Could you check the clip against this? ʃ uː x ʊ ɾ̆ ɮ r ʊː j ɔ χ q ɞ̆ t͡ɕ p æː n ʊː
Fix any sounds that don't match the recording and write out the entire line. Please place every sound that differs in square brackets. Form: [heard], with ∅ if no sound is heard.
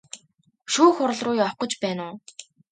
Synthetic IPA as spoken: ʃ uː x ʊ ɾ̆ ɮ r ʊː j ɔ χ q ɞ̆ t͡ɕ p æː n ʊː